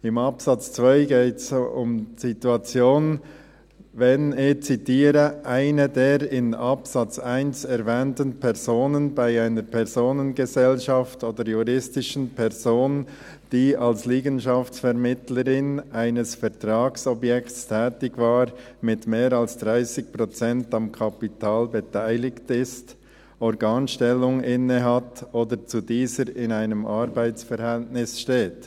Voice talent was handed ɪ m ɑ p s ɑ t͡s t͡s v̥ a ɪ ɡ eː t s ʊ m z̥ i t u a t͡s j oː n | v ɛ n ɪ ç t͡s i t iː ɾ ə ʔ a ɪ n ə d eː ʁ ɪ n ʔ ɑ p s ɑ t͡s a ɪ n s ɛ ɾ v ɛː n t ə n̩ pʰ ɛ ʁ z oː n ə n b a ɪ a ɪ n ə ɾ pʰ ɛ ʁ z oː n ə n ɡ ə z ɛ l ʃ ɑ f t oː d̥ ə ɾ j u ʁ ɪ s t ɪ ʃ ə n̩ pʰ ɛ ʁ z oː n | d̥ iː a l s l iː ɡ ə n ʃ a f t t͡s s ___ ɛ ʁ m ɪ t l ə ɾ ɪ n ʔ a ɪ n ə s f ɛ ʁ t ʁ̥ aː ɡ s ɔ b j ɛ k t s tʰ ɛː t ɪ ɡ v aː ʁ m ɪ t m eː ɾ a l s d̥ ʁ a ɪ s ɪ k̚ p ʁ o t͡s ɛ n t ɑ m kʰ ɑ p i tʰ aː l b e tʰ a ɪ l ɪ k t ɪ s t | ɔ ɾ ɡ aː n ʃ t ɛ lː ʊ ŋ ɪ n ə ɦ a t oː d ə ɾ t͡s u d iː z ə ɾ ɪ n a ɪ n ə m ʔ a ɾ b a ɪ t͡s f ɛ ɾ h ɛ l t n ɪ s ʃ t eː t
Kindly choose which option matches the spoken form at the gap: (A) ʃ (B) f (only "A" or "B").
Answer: B